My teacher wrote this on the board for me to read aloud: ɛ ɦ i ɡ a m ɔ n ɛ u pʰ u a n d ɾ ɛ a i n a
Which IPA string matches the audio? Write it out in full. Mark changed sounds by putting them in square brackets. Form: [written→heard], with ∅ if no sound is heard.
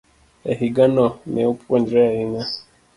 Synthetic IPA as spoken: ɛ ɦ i ɡ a [m→n] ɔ n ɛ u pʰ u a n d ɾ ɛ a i n a